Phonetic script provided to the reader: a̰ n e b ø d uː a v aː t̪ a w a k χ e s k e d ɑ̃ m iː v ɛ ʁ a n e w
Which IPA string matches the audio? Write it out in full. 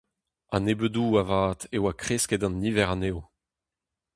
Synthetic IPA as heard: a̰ n e b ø d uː a v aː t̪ e w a k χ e s k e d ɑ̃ n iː v ɛ ʁ a n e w